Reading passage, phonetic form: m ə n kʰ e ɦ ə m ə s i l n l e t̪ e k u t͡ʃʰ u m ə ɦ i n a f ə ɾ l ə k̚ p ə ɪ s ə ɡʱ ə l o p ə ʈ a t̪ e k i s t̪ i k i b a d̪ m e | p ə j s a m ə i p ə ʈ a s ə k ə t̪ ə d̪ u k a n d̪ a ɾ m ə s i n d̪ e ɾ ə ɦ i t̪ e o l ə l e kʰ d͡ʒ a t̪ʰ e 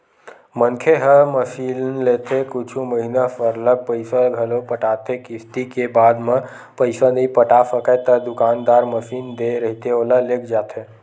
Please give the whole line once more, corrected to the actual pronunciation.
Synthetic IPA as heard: m ə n kʰ e ɦ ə m ə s i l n l e t̪ e k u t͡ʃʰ u m ə ɦ i n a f ə ɾ l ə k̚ p ə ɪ s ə ɡʱ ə l o p ə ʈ a t̪ e k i s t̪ i k e b a d̪ m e | p ə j s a n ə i p ə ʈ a s ə k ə t̪ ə d̪ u k a n d̪ a ɾ m ə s i n d̪ e ɾ ə ɦ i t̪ e o l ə l e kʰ d͡ʒ a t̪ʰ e